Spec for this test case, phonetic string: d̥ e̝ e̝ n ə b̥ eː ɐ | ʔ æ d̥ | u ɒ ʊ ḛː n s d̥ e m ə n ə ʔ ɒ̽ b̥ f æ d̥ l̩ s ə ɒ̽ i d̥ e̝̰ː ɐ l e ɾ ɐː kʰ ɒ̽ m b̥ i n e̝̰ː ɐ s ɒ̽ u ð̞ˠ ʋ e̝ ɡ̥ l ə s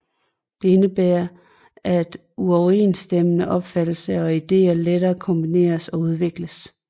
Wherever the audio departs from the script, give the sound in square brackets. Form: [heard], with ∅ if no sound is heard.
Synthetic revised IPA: d̥ e̝ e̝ n ə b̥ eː ɐ | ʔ æ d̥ | u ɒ ʊ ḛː n s d̥ e m ə n ə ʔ ɒ̽ b̥ f æ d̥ l̩ s ə ɒ̽ i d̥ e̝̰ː ɐ l e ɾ ɐː kʰ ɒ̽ m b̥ i n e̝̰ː ɐ s ɒ̽ u ð̞ˠ ʋ e̝ ɡ̥ l ə s